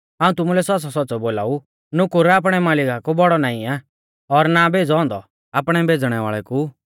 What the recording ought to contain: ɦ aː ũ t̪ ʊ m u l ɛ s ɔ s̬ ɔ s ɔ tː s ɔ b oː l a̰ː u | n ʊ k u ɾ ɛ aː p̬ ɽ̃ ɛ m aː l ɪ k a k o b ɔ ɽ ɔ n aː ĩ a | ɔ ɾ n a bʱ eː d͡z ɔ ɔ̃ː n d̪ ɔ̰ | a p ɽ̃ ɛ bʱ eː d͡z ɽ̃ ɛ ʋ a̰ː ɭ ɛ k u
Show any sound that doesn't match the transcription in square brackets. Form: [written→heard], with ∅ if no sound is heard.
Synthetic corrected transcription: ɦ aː ũ t̪ ʊ m u l ɛ s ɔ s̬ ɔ s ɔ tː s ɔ b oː l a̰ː u | n ʊ k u ɾ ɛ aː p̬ ɽ̃ ɛ m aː l ɪ k a k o b ɔ ɽ ɔ n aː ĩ a | ɔ ɾ n a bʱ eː d͡z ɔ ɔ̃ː n d̪ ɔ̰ | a p ɽ̃ ɛ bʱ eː d͡z ɽ̃ ɛ ʋ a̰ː ɭ ɛ k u

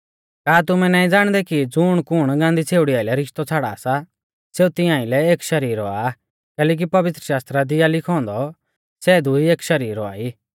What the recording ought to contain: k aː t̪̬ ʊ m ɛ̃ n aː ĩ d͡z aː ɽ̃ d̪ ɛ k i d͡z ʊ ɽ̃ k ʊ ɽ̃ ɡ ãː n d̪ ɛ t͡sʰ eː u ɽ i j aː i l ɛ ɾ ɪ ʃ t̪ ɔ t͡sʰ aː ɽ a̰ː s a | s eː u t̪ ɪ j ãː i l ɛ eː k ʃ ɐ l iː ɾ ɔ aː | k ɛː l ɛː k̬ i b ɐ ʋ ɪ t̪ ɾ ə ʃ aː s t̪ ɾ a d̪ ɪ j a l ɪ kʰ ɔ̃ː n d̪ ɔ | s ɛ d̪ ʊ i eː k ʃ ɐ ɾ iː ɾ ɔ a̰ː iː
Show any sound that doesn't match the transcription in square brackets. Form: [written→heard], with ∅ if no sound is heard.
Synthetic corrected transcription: k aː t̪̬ ʊ m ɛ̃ n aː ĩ d͡z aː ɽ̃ d̪ ɛ k i d͡z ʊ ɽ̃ k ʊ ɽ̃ ɡ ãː n d̪ [ɛ→i] t͡sʰ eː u ɽ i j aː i l ɛ ɾ ɪ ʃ t̪ ɔ t͡sʰ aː ɽ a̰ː s a | s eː u t̪ ɪ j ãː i l ɛ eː k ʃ ɐ [l→ɾ] iː ɾ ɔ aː | k ɛː l ɛː k̬ i [b→p] ɐ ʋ ɪ t̪ ɾ ə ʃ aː s t̪ ɾ a d̪ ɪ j a l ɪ kʰ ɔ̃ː n d̪ ɔ | s ɛ d̪ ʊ i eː k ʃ ɐ ɾ iː ɾ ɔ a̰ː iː

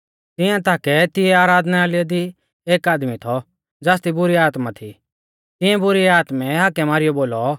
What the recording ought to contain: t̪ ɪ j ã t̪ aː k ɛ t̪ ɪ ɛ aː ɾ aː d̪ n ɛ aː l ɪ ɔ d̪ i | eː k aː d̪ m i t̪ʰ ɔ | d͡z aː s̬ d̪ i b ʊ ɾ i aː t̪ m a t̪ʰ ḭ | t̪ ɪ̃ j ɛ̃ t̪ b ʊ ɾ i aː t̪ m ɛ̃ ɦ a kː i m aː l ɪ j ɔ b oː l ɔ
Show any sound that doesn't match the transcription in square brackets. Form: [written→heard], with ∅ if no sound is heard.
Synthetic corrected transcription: t̪ ɪ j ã t̪ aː k ɛ t̪ ɪ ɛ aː ɾ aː d̪ n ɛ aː l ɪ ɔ d̪ i | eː k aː d̪ m i t̪ʰ ɔ | d͡z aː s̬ [d̪→t̪] i b ʊ ɾ i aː t̪ m a t̪ʰ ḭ | t̪ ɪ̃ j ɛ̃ [t̪→∅] b ʊ ɾ i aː t̪ m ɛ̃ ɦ a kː [i→ɛ] m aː [l→ɾ] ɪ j ɔ b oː l ɔ

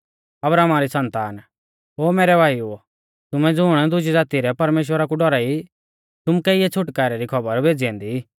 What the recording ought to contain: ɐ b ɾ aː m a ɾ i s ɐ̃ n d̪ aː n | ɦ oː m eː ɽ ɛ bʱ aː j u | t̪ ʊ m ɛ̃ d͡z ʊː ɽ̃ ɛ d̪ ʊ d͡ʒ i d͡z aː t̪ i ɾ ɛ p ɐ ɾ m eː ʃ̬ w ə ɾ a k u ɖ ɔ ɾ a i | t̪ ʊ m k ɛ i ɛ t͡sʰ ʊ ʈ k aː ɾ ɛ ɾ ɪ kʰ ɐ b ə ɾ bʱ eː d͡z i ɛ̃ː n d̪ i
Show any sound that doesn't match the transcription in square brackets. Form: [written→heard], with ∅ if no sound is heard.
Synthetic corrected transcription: ɐ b ɾ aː m a ɾ i s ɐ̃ n [d̪→t̪] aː n | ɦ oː m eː [ɽ→ɾ] ɛ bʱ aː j u | t̪ ʊ m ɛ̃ d͡z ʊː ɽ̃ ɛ d̪ ʊ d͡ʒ i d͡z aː t̪ i ɾ ɛ p ɐ ɾ m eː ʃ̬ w ə ɾ a k u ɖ ɔ ɾ a i | t̪ ʊ m k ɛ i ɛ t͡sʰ ʊ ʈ k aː ɾ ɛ ɾ [ɪ→i] kʰ ɐ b ə ɾ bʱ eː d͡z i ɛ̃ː n d̪ i

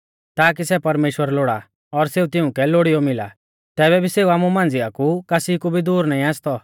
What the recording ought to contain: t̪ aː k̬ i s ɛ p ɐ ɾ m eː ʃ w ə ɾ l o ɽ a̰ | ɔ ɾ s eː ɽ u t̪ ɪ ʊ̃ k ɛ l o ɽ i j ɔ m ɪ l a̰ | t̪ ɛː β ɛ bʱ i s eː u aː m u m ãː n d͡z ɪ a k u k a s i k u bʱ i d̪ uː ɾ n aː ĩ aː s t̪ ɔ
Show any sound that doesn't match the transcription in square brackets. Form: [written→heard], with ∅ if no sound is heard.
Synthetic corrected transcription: t̪ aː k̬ i s ɛ p ɐ ɾ m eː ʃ w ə ɾ l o ɽ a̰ | ɔ ɾ s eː [ɽ→∅] u t̪ ɪ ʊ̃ k ɛ l o ɽ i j ɔ m ɪ l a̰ | t̪ ɛː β ɛ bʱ i s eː u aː m u m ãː n d͡z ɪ a k u k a s i k u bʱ i d̪ uː ɾ n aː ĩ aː s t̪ ɔ

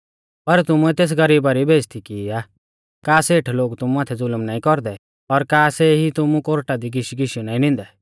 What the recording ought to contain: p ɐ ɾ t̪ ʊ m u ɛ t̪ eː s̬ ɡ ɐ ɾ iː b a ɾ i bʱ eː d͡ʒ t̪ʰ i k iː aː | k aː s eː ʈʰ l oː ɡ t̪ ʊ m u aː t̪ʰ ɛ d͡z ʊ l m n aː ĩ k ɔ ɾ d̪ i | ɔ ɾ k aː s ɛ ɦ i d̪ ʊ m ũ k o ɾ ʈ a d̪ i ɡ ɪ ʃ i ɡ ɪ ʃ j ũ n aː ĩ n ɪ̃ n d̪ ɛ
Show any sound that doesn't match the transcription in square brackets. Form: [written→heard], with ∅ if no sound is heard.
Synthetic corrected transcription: p ɐ ɾ t̪ ʊ m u ɛ t̪ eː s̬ ɡ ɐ ɾ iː b a ɾ i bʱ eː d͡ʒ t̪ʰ i k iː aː | k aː s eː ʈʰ l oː ɡ t̪ ʊ m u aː t̪ʰ ɛ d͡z ʊ l m n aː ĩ k ɔ ɾ d̪ [i→ɛ] | ɔ ɾ k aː s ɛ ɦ i [d̪→t̪] ʊ m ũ k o ɾ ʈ a d̪ i ɡ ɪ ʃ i ɡ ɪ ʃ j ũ n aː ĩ n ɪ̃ n d̪ ɛ

